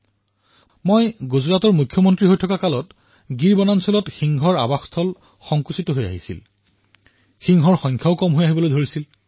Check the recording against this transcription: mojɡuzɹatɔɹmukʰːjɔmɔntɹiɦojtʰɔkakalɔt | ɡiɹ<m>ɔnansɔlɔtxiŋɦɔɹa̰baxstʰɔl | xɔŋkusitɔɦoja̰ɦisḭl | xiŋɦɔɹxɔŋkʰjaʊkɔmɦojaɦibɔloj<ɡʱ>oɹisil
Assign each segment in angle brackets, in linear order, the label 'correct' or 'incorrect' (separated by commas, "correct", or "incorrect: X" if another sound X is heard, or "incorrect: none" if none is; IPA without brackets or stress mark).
incorrect: b, incorrect: dʱ